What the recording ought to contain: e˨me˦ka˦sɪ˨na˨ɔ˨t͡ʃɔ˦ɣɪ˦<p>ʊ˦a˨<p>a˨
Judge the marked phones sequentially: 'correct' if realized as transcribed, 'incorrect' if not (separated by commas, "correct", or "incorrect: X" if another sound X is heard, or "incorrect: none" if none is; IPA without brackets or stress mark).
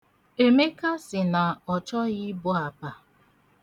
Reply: incorrect: b, correct